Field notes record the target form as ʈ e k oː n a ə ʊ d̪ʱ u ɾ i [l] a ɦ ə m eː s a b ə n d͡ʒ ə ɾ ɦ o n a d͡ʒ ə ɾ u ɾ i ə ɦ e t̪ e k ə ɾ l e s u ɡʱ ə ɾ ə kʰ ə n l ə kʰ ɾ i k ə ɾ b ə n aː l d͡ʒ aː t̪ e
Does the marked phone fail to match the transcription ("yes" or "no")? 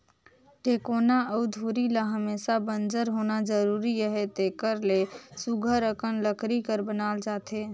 no